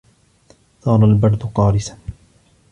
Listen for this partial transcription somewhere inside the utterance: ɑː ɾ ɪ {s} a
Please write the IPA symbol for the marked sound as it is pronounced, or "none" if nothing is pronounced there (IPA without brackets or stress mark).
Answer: s